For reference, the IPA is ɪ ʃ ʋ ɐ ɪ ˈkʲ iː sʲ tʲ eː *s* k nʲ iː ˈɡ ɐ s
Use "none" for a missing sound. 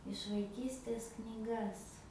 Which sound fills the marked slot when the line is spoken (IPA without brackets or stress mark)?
s